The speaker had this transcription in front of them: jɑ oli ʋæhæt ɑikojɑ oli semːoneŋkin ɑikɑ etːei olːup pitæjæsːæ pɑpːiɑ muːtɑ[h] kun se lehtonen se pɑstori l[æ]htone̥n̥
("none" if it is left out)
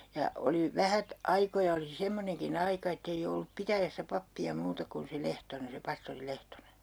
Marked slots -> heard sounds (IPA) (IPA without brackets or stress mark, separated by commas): none, e